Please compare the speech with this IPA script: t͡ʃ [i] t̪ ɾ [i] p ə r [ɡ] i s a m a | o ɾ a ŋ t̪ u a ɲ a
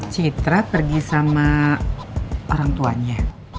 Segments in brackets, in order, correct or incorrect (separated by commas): correct, incorrect, correct